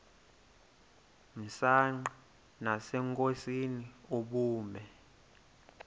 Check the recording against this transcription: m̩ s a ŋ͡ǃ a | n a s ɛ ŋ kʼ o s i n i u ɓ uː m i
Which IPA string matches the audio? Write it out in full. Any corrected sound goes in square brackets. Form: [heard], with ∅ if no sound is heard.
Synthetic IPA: m̩ s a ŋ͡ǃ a | n a s ɛ ŋ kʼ o s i n i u ɓ uː m [ɛ]